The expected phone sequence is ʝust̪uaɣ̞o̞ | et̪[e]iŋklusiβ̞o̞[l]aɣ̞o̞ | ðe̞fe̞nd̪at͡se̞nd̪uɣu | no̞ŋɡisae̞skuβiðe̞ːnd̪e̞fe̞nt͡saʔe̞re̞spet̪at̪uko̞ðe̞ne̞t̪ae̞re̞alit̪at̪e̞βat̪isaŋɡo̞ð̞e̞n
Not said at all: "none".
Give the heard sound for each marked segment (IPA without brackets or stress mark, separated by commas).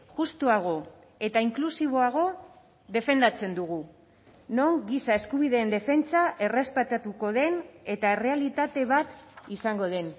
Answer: a, none